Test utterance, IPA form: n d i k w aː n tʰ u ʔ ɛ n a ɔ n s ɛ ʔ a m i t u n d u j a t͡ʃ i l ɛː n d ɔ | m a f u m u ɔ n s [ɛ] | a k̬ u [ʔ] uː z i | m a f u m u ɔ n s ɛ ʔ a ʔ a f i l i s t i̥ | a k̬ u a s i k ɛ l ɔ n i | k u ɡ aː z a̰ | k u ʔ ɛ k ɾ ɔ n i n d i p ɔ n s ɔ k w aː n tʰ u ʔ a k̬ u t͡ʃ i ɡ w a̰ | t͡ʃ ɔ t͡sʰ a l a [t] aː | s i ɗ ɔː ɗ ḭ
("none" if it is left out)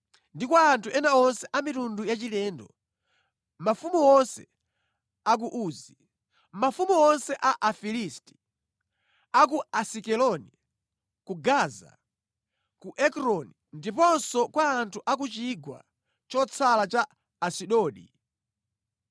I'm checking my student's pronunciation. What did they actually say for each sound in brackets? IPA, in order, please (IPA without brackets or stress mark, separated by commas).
ɛ, ʔ, t͡ʃ